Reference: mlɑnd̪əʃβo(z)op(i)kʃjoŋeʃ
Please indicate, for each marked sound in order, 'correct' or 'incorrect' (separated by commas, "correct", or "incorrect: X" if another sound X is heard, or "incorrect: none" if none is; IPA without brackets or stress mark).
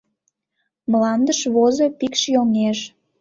correct, correct